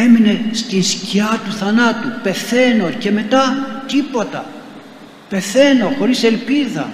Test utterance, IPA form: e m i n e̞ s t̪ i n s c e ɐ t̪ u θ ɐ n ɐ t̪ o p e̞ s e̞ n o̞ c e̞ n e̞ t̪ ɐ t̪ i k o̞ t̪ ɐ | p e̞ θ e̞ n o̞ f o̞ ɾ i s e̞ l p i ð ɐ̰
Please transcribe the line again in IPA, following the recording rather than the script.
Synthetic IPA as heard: e m i n e̞ s t̪ i n s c i ɐ t̪ u θ ɐ n ɐ t̪ u p e̞ θ e̞ n o̞ c e̞ m e̞ t̪ ɐ t̪ i p o̞ t̪ ɐ | p e̞ θ e̞ n o̞ x o̞ ɾ i s e̞ l p i ð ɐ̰